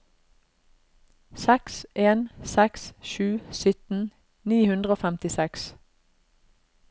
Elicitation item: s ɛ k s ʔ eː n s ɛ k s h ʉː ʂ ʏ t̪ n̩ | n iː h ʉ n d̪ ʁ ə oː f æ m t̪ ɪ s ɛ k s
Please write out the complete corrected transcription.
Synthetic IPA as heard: s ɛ k s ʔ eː n s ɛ k s ʃ ʉː s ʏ t̪ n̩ | n iː h ʉ n d̪ ʁ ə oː f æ m t̪ ɪ s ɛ k s